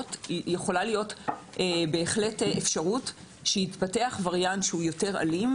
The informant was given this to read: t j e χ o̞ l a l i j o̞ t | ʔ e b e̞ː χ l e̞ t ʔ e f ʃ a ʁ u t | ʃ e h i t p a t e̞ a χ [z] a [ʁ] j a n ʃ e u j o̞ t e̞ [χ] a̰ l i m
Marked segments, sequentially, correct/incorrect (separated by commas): incorrect, correct, incorrect